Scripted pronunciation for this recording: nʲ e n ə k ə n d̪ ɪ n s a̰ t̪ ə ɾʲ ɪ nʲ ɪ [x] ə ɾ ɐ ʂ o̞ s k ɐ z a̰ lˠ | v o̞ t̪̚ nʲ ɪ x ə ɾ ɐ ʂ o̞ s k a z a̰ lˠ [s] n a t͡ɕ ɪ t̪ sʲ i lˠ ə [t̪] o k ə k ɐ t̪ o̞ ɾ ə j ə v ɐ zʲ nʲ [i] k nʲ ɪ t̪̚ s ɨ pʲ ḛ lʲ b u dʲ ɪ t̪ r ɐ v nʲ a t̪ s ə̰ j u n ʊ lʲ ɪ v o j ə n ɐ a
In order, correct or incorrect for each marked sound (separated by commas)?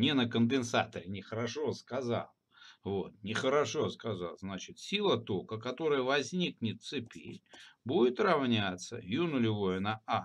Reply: correct, incorrect, correct, correct